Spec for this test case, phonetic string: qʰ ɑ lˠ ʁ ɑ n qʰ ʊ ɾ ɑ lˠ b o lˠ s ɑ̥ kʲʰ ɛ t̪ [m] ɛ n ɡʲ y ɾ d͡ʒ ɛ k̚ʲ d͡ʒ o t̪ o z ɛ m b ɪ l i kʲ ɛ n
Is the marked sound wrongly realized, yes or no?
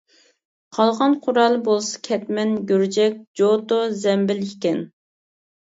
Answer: no